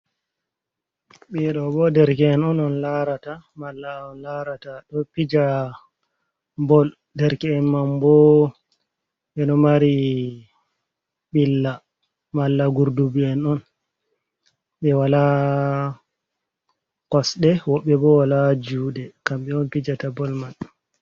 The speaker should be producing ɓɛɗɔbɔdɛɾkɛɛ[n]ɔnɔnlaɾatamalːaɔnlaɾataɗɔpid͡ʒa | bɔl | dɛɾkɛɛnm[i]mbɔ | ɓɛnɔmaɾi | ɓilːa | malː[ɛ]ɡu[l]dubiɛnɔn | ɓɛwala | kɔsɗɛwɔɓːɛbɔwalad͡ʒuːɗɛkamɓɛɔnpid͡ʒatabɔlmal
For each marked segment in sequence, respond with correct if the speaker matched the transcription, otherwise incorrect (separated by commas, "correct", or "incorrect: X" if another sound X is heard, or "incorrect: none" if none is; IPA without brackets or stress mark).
correct, incorrect: a, incorrect: a, incorrect: ɾ